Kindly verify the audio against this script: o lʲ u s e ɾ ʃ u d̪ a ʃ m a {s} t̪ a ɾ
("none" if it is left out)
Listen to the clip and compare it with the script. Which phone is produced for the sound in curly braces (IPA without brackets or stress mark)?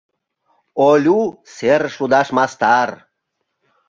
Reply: s